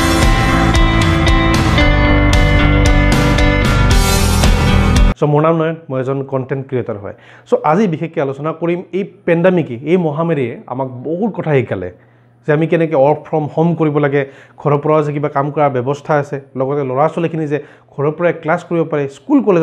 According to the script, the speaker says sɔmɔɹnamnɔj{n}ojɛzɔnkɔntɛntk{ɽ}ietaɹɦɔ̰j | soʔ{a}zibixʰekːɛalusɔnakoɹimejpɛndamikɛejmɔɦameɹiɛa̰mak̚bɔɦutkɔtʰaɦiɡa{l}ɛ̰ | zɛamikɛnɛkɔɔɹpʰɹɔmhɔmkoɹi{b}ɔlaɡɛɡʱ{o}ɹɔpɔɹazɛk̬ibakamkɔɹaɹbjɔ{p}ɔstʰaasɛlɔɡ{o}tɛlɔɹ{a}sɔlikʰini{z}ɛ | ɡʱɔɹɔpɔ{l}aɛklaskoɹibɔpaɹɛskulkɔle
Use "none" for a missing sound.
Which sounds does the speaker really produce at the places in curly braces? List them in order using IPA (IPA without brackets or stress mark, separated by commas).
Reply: m, ɹ, a, l, b, ɔ, b, ɔ, a, z, ɹ